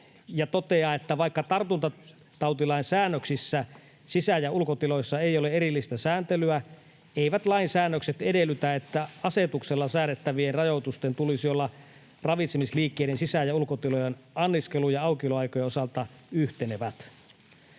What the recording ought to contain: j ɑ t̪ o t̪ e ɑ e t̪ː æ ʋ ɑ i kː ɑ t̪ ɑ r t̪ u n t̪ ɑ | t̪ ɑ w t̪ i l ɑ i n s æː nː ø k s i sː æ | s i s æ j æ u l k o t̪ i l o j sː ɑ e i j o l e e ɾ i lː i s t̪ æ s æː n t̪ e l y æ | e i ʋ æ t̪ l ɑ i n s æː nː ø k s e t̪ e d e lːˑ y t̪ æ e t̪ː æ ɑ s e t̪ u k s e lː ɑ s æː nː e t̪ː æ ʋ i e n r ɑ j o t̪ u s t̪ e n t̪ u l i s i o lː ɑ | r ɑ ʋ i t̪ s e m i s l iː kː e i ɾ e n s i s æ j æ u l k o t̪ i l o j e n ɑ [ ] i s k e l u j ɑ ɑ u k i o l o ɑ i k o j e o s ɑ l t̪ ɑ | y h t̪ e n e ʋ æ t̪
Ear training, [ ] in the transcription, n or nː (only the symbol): nː